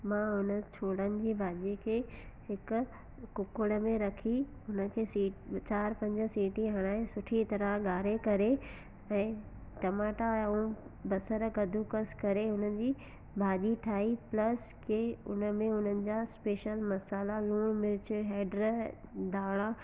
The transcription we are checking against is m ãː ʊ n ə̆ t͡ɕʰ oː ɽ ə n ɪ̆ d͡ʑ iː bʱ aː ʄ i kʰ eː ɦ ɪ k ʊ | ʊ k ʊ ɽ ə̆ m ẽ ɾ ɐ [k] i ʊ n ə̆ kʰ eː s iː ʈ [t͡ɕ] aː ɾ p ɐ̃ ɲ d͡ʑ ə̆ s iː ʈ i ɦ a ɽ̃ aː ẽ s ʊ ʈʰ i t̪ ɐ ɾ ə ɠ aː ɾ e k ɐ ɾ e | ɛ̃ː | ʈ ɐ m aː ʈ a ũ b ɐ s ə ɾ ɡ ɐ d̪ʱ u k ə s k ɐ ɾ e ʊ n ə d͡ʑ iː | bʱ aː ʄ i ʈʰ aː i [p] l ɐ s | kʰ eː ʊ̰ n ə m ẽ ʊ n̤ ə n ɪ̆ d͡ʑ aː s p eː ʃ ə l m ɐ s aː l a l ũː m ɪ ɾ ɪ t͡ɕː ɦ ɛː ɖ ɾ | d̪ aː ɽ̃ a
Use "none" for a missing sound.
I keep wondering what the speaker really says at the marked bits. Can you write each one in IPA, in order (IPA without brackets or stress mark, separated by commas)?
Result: kʰ, t͡ɕ, p